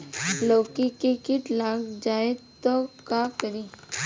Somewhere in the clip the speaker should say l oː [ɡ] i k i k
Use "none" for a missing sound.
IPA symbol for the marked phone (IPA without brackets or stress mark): k